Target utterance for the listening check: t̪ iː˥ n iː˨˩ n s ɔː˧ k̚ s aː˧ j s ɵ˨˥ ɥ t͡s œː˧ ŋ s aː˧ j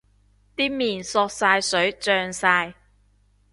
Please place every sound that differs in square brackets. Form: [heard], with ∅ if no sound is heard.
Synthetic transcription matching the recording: t̪ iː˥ [m] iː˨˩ n s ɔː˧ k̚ s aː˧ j s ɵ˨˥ ɥ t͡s œː˧ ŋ s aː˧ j